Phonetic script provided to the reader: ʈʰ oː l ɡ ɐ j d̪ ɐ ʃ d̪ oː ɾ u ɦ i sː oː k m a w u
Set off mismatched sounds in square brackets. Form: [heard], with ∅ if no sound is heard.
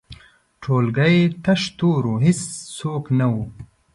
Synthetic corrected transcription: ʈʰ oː l ɡ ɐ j [t̪] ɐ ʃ [t̪] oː ɾ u ɦ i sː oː k [n] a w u